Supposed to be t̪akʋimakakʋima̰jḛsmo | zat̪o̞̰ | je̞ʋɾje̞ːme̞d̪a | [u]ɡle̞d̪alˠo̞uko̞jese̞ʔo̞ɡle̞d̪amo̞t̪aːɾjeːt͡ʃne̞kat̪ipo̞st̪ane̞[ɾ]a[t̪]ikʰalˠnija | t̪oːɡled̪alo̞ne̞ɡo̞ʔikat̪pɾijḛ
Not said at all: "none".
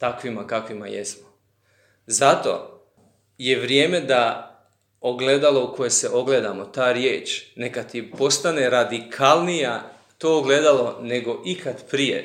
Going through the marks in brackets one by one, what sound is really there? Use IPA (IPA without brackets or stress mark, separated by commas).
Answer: o, ɾ, d̪